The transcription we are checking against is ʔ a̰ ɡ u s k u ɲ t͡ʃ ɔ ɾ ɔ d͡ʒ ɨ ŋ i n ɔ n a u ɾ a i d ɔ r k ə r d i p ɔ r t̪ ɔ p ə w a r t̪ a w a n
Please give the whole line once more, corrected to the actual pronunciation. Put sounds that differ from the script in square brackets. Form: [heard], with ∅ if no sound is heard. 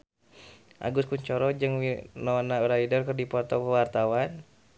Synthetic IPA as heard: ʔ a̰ ɡ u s k u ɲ t͡ʃ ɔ ɾ ɔ d͡ʒ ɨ ŋ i n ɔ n a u ɾ a i d ɔ r k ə r d i p ɔ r t̪ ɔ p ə w a r t̪ a w a n